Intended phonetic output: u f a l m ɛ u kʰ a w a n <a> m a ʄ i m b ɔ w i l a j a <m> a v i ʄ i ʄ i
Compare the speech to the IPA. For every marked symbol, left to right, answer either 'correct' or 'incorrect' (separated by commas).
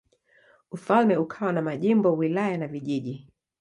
correct, incorrect